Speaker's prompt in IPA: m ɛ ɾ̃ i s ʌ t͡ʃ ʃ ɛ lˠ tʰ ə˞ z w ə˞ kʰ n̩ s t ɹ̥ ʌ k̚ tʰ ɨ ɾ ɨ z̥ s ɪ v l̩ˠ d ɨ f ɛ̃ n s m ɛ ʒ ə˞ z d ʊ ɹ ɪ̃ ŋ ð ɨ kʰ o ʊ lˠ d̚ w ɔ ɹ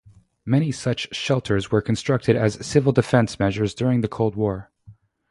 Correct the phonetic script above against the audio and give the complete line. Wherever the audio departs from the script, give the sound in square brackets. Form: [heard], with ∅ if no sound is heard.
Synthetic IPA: m ɛ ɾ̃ i s ʌ t͡ʃ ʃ ɛ lˠ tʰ ə˞ z w ə˞ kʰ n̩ s t ɹ̥ ʌ k̚ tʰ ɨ ɾ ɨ z̥ s ɪ v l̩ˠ d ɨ f ɛ̃ n s m ɛ ʒ ə˞ z d ʊ ɹ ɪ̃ ŋ ð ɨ kʰ o ʊ lˠ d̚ w ɔ ɹ